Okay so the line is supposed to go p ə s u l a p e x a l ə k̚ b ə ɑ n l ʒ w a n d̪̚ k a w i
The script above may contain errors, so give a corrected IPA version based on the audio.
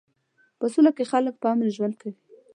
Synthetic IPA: p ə s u l a k e x a l ə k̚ p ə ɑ m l ʒ w a n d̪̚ k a w i